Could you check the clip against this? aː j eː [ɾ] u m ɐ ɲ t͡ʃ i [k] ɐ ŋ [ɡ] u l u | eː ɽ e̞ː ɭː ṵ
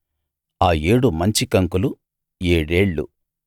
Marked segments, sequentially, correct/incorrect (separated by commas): incorrect, correct, incorrect